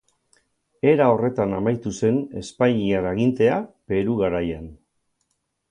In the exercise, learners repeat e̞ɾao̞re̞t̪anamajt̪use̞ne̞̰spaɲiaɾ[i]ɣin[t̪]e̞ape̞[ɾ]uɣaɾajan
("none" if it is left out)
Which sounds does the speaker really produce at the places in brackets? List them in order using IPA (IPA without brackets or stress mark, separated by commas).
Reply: a, t̪, ɾ